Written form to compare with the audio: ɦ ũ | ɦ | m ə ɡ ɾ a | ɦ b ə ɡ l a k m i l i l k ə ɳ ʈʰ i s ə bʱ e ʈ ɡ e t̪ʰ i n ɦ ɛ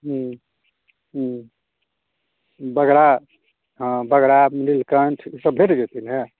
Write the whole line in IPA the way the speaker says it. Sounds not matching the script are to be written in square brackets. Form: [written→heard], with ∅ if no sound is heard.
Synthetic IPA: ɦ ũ | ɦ | [m→b] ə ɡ ɾ a | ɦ b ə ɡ [l→ɾ] a [k→∅] m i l i l k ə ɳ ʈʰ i s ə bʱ e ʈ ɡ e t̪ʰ i n ɦ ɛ